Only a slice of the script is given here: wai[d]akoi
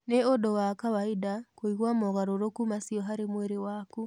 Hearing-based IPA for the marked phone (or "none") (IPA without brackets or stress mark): d